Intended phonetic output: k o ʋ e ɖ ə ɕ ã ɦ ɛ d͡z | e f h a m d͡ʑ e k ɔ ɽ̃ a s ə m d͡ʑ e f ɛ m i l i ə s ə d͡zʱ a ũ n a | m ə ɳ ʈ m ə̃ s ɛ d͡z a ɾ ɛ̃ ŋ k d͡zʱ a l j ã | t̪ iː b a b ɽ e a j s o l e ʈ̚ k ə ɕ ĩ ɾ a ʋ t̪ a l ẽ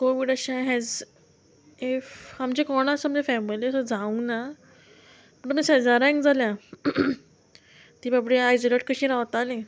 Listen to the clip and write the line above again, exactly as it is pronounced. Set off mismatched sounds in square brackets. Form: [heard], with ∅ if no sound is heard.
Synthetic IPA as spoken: k o ʋ [i] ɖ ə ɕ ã ɦ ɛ d͡z | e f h a m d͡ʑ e k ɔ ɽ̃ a s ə m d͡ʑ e f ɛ m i l i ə s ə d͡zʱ a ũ n a | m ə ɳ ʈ m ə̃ s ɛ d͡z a ɾ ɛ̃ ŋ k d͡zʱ a l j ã | t̪ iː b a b ɽ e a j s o l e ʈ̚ k ə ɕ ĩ ɾ a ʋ t̪ a l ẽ